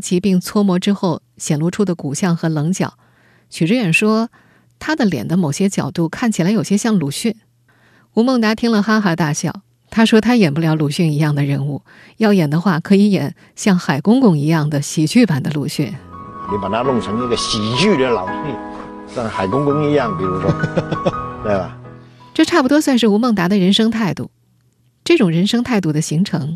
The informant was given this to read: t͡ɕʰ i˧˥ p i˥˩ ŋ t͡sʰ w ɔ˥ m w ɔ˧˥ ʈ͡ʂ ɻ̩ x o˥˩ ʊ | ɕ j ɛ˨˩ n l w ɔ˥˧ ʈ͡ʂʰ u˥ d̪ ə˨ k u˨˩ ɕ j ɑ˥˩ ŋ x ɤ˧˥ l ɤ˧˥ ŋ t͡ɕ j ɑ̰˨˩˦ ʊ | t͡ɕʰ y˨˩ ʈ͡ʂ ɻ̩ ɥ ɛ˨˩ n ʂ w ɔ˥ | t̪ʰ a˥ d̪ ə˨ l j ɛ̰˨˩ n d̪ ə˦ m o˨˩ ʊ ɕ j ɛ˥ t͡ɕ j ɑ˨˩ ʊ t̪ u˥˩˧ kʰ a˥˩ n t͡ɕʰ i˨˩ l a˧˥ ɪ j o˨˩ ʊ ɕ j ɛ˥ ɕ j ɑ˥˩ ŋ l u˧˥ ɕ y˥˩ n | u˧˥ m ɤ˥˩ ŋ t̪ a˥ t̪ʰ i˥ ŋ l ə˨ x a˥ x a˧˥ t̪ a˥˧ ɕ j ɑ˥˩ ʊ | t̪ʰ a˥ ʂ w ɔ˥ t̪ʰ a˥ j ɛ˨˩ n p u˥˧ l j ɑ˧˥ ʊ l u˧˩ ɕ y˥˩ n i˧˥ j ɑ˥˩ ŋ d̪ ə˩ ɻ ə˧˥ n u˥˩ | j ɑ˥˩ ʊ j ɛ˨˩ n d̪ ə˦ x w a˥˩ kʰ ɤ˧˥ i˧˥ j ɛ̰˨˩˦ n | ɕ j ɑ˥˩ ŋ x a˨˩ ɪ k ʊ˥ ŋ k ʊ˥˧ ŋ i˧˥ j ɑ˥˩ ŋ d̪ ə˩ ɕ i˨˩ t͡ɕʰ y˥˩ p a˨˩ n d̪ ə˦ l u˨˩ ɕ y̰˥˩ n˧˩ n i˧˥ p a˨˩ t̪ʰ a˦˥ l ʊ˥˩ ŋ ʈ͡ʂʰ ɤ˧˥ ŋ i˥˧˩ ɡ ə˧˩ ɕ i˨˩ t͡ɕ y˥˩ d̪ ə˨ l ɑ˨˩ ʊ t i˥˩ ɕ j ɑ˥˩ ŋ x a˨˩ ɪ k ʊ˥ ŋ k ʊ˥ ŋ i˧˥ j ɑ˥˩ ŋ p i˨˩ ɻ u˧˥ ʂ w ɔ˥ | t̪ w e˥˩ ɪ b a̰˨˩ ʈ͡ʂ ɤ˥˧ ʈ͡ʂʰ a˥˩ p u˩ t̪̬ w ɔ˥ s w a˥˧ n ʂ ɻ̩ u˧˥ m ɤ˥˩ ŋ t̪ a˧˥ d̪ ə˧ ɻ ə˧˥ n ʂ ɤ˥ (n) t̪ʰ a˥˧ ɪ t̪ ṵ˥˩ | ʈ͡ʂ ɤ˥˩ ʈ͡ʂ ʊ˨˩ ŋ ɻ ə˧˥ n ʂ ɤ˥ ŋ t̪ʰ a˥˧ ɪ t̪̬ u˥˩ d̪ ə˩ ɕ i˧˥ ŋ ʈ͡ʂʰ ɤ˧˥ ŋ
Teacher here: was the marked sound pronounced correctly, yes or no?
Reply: no